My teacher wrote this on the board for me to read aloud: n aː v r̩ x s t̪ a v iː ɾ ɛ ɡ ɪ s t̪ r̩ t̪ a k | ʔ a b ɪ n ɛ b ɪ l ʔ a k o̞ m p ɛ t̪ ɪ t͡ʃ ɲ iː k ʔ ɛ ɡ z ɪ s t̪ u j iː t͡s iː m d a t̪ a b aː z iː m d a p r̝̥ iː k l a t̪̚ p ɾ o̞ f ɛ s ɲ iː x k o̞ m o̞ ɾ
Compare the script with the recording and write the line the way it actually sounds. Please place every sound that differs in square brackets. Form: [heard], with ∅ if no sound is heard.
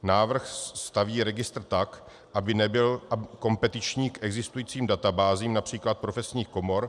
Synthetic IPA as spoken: n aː v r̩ x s t̪ a v iː ɾ ɛ ɡ ɪ s t̪ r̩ t̪ a k | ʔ a b ɪ n ɛ b ɪ l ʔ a k o̞ m p ɛ t̪ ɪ t͡ʃ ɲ iː k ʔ ɛ ɡ z ɪ s t̪ u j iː t͡s iː m d a t̪ a b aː z iː m [n] a p r̝̥ iː k l a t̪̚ p ɾ o̞ f ɛ s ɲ iː x k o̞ m o̞ ɾ